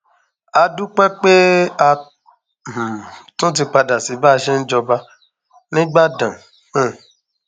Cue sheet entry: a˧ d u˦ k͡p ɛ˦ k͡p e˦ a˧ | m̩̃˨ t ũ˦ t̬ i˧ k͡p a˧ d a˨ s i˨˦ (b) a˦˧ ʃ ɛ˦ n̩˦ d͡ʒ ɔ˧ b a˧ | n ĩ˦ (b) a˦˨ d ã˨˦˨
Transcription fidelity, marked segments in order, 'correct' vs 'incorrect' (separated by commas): correct, incorrect